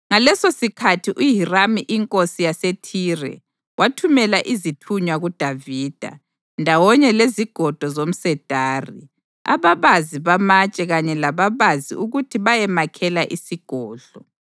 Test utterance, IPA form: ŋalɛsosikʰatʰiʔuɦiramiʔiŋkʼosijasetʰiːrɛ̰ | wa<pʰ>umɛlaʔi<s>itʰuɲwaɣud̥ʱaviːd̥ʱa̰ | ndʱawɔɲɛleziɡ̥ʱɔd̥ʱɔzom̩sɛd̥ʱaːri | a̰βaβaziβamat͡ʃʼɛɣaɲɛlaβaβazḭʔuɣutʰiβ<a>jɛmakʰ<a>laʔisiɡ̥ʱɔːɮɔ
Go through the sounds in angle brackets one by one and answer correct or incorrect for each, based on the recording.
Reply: incorrect, incorrect, correct, incorrect

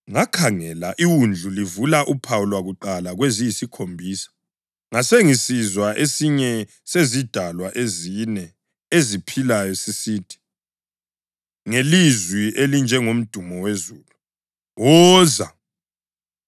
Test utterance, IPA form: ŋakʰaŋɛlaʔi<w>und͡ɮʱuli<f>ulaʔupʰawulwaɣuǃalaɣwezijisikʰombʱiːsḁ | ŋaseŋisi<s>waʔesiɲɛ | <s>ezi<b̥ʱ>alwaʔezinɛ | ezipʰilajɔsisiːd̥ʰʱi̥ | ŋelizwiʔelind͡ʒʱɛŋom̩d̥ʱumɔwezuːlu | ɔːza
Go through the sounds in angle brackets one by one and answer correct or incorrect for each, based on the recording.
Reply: correct, incorrect, incorrect, correct, incorrect

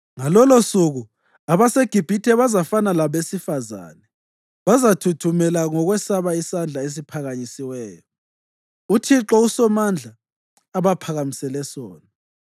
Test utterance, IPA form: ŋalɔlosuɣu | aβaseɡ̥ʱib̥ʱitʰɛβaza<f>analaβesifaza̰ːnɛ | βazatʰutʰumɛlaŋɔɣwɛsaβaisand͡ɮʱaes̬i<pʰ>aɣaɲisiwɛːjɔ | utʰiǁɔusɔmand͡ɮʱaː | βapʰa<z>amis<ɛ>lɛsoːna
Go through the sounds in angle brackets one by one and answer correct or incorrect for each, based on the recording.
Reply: correct, correct, incorrect, correct

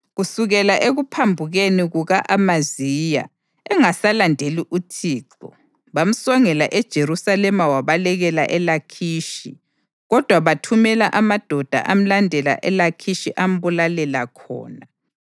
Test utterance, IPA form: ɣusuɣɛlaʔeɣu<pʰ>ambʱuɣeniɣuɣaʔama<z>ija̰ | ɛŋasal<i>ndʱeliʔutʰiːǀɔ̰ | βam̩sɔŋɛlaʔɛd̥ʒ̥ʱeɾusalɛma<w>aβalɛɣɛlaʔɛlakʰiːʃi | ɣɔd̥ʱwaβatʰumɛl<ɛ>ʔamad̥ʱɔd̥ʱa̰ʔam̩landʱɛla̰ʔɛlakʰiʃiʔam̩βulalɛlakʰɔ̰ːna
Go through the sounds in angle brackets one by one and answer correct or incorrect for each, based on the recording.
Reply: correct, correct, incorrect, correct, incorrect

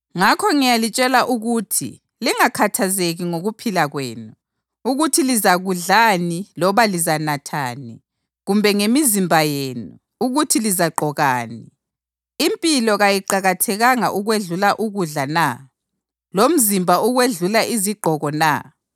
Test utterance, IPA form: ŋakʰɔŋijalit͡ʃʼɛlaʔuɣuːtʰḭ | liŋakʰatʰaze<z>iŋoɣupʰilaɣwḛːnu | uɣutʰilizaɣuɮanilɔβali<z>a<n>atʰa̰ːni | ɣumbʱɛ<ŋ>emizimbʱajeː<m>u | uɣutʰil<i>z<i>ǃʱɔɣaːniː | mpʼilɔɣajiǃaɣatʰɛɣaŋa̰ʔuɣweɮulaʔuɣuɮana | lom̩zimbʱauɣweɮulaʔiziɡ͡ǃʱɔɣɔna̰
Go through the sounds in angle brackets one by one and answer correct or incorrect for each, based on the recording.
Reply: incorrect, correct, correct, correct, incorrect, correct, incorrect

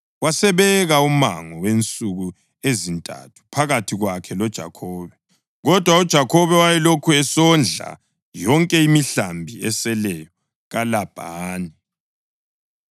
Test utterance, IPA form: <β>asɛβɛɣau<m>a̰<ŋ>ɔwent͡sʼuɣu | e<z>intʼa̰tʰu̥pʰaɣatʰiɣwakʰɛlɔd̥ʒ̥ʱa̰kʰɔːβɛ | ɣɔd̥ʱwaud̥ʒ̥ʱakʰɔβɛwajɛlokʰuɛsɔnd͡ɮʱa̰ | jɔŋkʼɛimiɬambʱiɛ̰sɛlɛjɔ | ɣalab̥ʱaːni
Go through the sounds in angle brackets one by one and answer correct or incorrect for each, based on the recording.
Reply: incorrect, correct, correct, correct

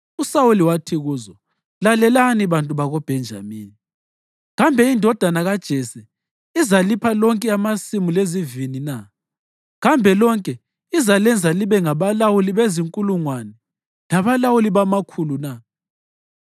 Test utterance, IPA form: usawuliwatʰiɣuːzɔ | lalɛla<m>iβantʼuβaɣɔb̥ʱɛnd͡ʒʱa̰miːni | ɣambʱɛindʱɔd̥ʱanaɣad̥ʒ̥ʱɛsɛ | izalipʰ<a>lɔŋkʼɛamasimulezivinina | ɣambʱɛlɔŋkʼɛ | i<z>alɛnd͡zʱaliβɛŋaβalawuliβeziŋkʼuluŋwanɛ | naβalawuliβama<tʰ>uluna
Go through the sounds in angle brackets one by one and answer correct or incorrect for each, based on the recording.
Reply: incorrect, correct, correct, incorrect

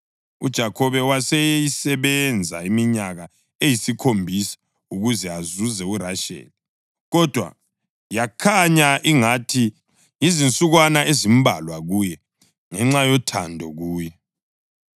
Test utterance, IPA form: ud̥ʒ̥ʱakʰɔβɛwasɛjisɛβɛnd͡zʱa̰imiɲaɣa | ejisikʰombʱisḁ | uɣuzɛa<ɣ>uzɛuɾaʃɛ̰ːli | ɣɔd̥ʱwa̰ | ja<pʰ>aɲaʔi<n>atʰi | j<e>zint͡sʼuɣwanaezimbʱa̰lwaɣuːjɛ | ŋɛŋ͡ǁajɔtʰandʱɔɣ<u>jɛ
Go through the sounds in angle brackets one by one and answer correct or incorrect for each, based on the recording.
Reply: incorrect, incorrect, incorrect, incorrect, incorrect

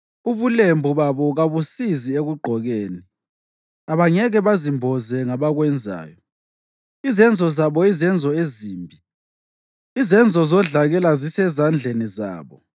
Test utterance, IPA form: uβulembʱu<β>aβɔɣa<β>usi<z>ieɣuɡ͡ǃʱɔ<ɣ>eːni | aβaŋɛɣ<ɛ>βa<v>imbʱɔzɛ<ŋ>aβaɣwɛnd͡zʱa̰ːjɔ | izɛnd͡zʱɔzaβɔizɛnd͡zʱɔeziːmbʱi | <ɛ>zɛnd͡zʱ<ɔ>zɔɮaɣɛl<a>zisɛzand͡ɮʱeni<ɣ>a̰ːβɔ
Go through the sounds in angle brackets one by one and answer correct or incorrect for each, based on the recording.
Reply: correct, correct, correct, correct, correct, incorrect, correct, incorrect, correct, correct, incorrect

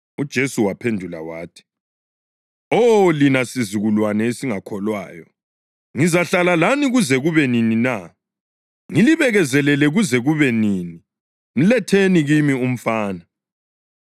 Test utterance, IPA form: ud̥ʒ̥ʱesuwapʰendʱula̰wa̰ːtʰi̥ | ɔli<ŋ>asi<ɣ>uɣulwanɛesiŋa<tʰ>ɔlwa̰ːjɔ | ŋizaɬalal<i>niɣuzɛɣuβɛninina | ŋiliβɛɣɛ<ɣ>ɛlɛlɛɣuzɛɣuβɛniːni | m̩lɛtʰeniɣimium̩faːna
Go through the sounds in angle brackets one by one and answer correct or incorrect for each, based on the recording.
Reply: incorrect, incorrect, incorrect, incorrect, incorrect

